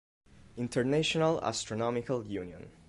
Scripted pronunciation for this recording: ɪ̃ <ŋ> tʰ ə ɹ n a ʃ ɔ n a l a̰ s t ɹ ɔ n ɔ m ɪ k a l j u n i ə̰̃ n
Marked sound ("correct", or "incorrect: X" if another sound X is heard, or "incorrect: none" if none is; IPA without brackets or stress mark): incorrect: n